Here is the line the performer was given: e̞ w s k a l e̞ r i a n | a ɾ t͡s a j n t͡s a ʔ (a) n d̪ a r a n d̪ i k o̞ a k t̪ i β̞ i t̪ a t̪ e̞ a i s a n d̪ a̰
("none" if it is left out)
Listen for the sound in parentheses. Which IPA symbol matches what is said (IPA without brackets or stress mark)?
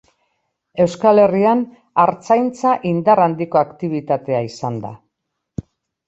i